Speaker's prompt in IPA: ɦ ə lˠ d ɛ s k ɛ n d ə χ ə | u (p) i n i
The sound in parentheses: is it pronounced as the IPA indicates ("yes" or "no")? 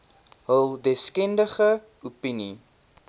yes